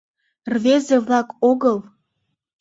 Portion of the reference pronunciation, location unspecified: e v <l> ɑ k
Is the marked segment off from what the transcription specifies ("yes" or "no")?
no